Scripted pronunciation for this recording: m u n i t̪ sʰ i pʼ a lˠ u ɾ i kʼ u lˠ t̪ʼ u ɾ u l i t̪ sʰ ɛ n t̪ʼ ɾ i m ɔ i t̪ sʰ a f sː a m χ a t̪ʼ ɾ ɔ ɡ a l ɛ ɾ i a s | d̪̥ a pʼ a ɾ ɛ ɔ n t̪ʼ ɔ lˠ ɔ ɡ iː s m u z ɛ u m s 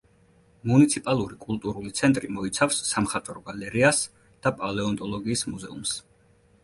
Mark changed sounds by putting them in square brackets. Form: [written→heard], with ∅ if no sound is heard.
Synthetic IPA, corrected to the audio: m u n i t̪ sʰ i pʼ a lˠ u ɾ i kʼ u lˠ t̪ʼ u ɾ u l i t̪ sʰ ɛ n t̪ʼ ɾ i m ɔ i t̪ sʰ a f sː a m χ a t̪ʼ ɾ ɔ ɡ a l ɛ ɾ i a s | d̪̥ a pʼ a [ɾ→l] ɛ ɔ n t̪ʼ ɔ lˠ ɔ ɡ iː s m u z ɛ u m s